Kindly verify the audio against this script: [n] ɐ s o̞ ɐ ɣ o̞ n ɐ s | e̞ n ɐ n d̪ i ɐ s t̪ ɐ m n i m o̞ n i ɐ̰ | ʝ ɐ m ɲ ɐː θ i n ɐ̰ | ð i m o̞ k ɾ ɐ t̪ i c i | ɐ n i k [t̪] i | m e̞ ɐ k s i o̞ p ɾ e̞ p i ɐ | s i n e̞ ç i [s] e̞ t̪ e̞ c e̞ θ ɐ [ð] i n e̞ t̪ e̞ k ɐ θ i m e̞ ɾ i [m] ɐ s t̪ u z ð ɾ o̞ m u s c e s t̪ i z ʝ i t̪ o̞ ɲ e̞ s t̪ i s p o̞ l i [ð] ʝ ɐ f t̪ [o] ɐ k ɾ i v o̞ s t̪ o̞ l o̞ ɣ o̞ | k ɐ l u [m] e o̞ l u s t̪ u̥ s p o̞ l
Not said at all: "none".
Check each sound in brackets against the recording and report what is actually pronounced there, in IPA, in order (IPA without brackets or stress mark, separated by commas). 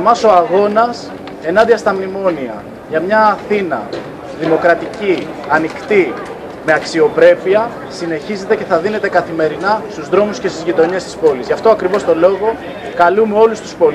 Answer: m, t̪, z, ð, n, z, o, m